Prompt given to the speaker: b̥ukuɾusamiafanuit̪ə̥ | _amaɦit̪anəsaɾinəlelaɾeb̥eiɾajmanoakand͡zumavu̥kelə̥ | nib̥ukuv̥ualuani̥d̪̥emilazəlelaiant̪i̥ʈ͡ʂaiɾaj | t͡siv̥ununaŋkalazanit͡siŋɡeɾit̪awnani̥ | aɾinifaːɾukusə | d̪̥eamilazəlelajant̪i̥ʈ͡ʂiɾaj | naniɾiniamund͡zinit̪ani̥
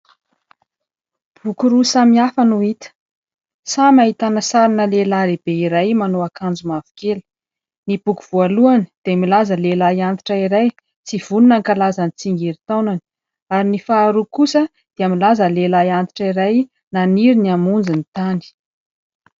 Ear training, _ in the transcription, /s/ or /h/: s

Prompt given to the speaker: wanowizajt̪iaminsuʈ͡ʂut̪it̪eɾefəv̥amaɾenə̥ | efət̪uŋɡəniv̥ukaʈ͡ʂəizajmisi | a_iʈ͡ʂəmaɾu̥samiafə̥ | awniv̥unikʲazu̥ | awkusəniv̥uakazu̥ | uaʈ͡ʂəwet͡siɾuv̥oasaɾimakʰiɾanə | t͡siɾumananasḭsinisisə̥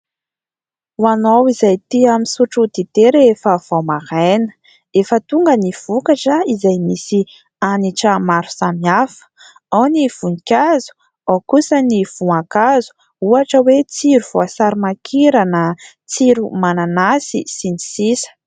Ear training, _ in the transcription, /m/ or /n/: n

